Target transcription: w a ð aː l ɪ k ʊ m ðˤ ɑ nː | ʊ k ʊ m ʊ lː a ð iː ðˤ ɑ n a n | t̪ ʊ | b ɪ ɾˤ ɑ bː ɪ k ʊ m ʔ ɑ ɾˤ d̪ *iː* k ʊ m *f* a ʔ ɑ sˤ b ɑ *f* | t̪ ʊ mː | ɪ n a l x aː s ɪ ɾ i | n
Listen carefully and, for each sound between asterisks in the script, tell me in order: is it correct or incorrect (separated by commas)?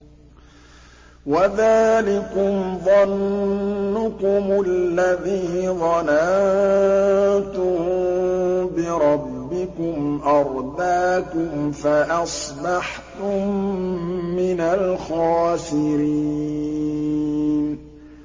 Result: incorrect, correct, incorrect